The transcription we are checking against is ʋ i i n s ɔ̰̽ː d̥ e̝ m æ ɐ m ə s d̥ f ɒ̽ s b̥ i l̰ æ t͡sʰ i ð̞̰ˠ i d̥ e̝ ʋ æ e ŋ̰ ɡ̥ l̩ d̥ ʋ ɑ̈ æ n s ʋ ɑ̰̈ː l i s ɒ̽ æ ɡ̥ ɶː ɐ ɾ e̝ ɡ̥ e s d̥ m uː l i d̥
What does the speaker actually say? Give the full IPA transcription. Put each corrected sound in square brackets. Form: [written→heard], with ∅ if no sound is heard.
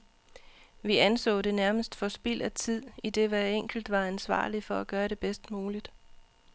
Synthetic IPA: ʋ i [i→æ] n s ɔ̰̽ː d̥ e̝ [m→n] æ ɐ m ə s d̥ f ɒ̽ s b̥ i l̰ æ t͡sʰ i ð̞̰ˠ i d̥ e̝ ʋ æ e ŋ̰ ɡ̥ l̩ d̥ ʋ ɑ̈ æ n s ʋ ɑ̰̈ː l i [s→f] ɒ̽ æ ɡ̥ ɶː ɐ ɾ e̝ [ɡ̥→b̥] e s d̥ m uː l i d̥